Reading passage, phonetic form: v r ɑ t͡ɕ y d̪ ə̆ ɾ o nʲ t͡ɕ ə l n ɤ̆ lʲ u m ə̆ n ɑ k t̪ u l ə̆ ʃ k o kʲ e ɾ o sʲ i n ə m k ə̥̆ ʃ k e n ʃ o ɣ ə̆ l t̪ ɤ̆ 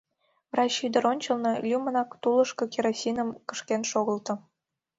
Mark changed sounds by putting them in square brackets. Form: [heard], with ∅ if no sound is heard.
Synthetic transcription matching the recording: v r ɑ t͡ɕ y d̪ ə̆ ɾ o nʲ t͡ɕ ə l n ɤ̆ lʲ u m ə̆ n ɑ k t̪ u l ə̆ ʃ k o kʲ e ɾ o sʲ i n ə m k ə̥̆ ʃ k e n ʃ o ɣ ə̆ l t̪ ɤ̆